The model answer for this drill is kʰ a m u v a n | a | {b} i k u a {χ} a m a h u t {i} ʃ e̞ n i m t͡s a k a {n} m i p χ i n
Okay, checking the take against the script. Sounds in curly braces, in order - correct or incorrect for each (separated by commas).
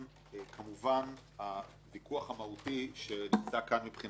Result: incorrect, correct, correct, correct